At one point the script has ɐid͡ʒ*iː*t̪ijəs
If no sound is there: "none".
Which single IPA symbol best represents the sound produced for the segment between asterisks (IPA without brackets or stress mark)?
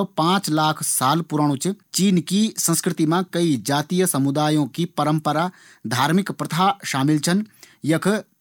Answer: aː